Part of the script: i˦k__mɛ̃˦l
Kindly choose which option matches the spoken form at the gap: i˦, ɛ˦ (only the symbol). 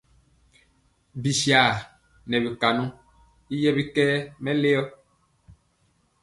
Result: ɛ˦